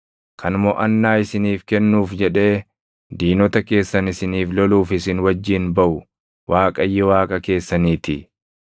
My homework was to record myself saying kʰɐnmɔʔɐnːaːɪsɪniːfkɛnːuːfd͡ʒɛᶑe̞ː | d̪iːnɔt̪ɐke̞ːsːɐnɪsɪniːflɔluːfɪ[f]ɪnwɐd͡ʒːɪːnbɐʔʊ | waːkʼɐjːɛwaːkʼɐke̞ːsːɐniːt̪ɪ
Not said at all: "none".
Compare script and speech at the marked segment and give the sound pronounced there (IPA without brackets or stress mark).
s